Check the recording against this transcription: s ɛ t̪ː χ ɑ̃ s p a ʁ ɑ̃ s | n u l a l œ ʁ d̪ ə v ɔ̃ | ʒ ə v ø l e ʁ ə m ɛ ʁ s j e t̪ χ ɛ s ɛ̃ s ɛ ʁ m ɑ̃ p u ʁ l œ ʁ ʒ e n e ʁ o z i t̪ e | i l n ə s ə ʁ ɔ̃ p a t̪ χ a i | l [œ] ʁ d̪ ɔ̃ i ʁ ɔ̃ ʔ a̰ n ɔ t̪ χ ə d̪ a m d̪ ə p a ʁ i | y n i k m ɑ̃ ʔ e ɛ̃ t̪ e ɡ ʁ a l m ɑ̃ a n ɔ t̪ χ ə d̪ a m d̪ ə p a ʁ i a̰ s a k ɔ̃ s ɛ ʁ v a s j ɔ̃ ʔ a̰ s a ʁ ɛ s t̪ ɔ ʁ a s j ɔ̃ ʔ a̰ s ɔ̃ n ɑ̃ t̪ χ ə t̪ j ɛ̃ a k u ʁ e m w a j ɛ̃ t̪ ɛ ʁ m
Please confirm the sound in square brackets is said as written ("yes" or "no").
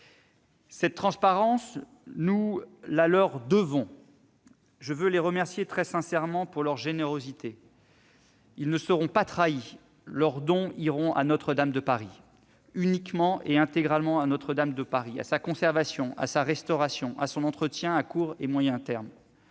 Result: yes